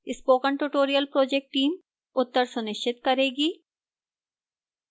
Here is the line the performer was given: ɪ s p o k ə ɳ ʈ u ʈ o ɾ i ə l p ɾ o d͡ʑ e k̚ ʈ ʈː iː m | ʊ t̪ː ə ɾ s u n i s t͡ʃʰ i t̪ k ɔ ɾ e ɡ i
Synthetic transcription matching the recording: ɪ s p o k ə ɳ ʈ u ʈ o ɾ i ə l p ɾ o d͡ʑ e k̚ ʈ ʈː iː m | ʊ t̪ː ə ɾ s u n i ʃ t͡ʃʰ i t̪ k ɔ ɾ e ɡ i